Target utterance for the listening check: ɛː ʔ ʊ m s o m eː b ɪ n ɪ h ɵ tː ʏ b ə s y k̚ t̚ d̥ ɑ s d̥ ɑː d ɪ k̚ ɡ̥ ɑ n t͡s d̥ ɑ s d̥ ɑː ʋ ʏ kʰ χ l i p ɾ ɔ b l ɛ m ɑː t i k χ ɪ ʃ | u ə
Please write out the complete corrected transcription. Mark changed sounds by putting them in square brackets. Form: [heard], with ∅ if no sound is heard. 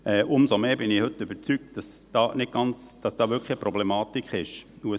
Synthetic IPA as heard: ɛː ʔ ʊ m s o m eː b ɪ n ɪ h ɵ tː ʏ b ə [t͡s] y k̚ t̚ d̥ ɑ s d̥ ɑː [n] ɪ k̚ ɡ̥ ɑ n t͡s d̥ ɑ s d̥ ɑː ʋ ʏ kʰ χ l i p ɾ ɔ b l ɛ m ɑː t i k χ ɪ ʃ | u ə